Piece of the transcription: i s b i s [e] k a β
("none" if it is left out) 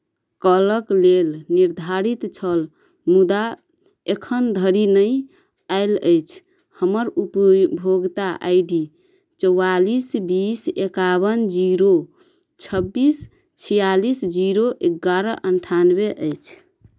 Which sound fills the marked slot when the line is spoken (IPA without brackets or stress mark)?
e